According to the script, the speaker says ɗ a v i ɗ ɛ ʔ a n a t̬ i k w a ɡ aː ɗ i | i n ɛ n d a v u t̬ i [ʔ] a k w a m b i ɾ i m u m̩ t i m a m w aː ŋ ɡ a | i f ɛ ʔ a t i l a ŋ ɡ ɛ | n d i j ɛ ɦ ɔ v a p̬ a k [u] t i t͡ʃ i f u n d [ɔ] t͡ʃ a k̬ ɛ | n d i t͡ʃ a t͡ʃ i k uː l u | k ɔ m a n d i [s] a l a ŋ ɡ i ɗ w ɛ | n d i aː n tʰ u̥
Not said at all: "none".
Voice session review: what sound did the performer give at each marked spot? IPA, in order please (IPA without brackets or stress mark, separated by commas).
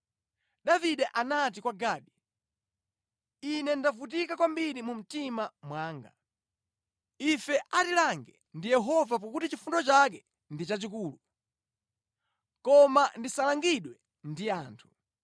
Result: k, u, ɔ, s